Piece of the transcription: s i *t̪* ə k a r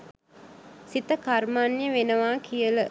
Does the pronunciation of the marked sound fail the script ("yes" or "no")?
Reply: no